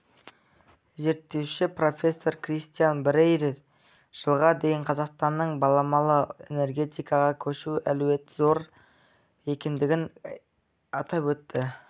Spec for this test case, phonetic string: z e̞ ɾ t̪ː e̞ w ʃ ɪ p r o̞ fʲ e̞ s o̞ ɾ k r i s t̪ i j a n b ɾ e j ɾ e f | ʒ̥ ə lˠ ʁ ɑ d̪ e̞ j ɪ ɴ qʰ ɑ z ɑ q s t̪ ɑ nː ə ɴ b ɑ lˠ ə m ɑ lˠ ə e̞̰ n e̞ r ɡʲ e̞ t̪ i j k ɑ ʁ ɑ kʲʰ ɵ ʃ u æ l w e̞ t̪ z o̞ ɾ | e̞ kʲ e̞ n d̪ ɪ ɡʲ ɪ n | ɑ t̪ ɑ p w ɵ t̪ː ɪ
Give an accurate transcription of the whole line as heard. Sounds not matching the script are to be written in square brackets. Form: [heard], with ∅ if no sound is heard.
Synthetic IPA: z e̞ ɾ t̪ː e̞ w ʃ ɪ p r o̞ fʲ e̞ [sː] o̞ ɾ k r i s t̪ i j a n b ɾ e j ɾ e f | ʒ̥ ə lˠ ʁ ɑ d̪ e̞ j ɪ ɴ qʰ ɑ z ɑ q s t̪ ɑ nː ə ɴ b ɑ lˠ [ɑ] m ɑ lˠ ə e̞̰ n e̞ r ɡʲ e̞ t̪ i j k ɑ ʁ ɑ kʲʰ ɵ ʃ u æ l w e̞ t̪ z o̞ ɾ | e̞ kʲ e̞ n d̪ ɪ ɡʲ ɪ n | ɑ t̪ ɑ p w ɵ t̪ː ɪ